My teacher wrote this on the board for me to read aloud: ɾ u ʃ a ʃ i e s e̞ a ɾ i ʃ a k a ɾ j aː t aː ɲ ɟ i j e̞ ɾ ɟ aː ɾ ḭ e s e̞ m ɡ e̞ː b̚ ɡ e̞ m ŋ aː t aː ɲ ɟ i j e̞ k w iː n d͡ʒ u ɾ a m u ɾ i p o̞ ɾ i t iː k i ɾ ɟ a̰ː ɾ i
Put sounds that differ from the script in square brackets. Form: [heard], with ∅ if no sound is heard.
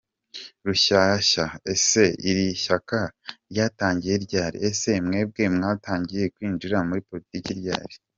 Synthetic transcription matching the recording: ɾ u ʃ a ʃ [a] e s e̞ [i] ɾ i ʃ a k a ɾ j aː t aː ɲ ɟ i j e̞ ɾ ɟ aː ɾ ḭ e s e̞ m [ŋ] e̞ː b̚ ɡ e̞ m ŋ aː t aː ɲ ɟ i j e̞ k w iː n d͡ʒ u ɾ a m u ɾ i p o̞ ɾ i t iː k i ɾ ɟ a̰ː ɾ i

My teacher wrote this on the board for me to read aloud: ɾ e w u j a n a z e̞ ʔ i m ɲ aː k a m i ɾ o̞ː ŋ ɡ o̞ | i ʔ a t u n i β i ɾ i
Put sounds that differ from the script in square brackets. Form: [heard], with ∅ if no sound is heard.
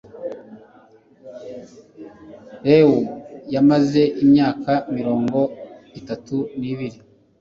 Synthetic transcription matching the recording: ɾ e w u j a [m] a z e̞ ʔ i m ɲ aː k a m i ɾ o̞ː ŋ ɡ o̞ | i [t] a t u n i β i ɾ i

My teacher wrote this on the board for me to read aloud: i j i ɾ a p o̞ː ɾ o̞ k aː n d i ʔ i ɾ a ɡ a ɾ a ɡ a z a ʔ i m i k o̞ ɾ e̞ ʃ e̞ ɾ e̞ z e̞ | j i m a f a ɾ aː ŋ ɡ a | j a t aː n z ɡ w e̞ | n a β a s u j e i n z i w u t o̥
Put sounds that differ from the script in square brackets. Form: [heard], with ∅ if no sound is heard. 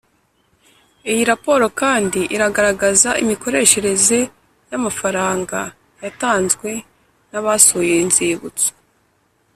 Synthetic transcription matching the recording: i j i ɾ a p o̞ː ɾ o̞ k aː n d i ʔ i ɾ a ɡ a ɾ a ɡ a z a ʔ i m i k o̞ ɾ e̞ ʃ e̞ ɾ e̞ z e̞ | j [a] m a f a ɾ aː ŋ ɡ a | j a t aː n z ɡ w e̞ | n a β a s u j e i n z i [β] u [t͡s] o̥

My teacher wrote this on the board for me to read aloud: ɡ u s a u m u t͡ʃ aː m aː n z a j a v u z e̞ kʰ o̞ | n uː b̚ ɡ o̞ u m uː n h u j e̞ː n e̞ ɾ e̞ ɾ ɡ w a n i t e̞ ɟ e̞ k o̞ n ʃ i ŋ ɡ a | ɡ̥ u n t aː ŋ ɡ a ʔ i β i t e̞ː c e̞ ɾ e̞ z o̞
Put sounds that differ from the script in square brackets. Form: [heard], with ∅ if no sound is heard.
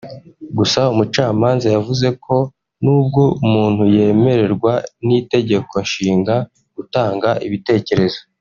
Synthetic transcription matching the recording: ɡ u s a u m u t͡ʃ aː m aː n z a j a v u z e̞ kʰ o̞ | n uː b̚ ɡ o̞ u m uː n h u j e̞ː [m] e̞ ɾ e̞ ɾ ɡ w a n i t e̞ ɟ e̞ k o̞ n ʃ [iː] ŋ ɡ a | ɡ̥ u [∅] t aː ŋ ɡ a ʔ i β i t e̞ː c e̞ ɾ e̞ z o̞

